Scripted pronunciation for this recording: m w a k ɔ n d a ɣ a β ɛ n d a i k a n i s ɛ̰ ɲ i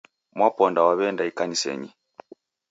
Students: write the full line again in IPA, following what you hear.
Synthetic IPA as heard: m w a p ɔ n d a w a β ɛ n d a i k a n i s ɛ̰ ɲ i